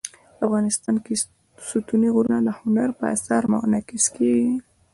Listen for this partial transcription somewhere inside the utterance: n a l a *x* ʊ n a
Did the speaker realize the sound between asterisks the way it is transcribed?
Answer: no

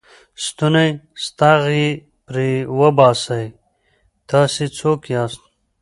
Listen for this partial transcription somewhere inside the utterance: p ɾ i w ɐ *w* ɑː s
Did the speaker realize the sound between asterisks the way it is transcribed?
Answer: no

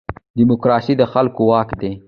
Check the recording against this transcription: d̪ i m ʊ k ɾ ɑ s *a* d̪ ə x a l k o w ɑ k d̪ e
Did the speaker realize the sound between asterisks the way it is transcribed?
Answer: no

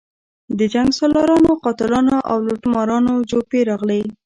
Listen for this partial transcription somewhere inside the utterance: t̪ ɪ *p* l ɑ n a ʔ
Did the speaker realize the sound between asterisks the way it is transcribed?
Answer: no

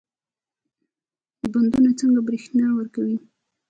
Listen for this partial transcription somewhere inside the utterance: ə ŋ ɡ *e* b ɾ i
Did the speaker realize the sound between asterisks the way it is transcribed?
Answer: no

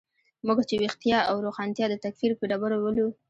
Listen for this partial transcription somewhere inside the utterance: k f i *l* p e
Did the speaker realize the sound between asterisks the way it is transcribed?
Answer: no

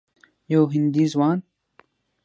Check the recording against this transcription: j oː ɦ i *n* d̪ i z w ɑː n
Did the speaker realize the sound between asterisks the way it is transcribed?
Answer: yes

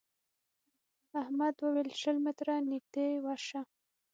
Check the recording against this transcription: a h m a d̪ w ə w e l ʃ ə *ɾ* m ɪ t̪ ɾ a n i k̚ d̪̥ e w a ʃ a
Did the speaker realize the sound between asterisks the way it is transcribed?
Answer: no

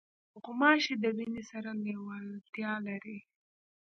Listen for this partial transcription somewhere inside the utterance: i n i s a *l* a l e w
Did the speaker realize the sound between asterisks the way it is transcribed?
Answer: no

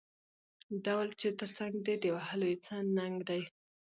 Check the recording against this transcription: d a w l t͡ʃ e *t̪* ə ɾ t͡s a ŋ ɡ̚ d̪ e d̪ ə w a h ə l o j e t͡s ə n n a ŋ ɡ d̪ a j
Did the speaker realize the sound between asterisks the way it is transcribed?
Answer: yes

